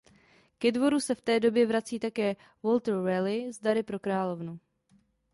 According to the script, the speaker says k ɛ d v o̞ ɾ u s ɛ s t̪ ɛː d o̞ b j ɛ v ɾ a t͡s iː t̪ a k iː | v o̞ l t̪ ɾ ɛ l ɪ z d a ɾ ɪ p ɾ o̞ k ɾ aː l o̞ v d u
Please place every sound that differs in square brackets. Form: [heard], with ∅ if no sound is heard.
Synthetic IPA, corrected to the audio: k ɛ d v o̞ ɾ u s ɛ [f] t̪ ɛː d o̞ b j ɛ v ɾ a t͡s iː t̪ a k [ɛː] | v o̞ l t̪ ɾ ɛ l ɪ z d a ɾ ɪ p ɾ o̞ k ɾ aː l o̞ v [n] u